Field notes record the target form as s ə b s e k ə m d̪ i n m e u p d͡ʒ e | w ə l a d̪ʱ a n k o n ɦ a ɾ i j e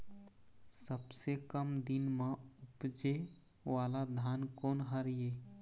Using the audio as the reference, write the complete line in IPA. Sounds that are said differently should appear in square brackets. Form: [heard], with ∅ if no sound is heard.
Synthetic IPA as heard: s ə b s e k ə m d̪ i n m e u p d͡ʒ e | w [a] l a d̪ʱ a n k o n ɦ [ə] ɾ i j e